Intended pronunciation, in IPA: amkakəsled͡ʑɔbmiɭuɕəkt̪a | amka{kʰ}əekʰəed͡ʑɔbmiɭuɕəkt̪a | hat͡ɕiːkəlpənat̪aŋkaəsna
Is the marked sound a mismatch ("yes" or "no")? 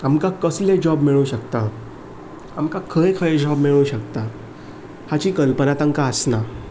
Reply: no